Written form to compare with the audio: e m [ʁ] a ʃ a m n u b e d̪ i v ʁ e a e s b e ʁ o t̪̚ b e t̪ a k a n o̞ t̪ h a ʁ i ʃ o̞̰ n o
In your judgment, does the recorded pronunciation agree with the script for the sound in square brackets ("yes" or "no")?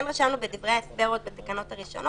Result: yes